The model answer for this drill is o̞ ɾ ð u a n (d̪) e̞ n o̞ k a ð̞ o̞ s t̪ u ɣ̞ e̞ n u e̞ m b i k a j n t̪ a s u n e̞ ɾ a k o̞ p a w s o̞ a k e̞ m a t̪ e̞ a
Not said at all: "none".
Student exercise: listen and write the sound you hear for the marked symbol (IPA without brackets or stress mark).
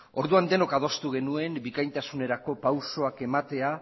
d̪